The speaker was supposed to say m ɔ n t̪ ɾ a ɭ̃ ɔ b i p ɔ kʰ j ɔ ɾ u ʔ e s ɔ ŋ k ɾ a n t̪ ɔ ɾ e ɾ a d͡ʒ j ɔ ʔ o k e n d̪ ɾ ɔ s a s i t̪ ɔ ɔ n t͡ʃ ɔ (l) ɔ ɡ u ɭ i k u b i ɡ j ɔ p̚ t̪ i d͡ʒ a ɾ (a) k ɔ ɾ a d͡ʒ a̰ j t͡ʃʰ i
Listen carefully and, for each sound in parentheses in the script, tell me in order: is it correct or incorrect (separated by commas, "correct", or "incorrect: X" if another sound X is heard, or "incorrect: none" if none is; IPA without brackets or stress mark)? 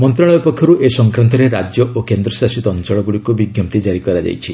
incorrect: ɭ, incorrect: i